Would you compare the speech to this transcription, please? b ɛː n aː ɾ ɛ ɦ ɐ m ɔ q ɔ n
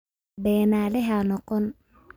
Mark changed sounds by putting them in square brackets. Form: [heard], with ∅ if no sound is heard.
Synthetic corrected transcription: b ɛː n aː [l] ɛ ɦ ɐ [n] ɔ q ɔ n